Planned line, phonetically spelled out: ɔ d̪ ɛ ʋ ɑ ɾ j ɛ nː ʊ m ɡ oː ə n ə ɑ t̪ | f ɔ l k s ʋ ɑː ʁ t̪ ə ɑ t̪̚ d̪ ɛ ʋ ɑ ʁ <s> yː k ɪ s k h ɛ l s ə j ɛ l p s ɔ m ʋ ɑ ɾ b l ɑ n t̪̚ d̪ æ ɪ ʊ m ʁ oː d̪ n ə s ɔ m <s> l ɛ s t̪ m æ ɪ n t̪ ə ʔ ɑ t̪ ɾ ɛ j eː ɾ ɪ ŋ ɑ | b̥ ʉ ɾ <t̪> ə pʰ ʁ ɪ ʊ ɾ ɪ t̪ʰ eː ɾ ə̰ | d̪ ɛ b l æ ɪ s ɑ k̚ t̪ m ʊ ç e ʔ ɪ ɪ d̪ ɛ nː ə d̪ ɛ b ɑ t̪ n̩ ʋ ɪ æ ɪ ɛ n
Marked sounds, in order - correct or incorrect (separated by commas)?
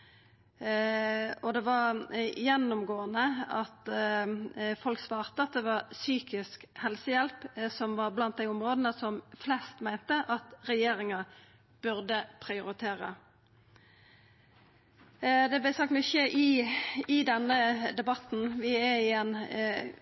correct, incorrect, incorrect